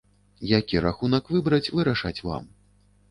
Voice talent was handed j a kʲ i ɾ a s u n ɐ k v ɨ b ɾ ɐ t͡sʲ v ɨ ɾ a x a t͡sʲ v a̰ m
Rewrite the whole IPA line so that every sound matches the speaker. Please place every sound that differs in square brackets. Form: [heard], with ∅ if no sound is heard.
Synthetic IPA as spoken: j a kʲ i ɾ a [x] u n ɐ k v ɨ b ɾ ɐ t͡sʲ v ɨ ɾ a [ʂ] a t͡sʲ v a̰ m